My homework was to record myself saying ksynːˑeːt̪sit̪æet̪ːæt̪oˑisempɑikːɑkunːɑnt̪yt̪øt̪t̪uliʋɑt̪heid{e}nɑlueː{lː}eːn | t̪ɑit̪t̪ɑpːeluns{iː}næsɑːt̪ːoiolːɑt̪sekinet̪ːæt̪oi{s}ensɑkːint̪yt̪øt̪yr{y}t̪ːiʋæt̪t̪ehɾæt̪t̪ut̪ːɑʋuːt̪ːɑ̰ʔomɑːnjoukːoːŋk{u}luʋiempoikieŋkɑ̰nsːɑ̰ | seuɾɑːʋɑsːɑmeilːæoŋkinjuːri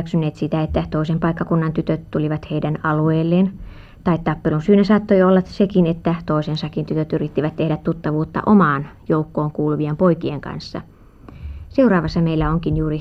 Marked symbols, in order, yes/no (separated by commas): no, yes, no, yes, no, no